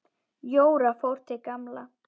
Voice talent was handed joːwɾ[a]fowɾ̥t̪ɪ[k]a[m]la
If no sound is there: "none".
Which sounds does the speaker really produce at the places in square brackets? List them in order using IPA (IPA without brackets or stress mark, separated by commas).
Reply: a, k, m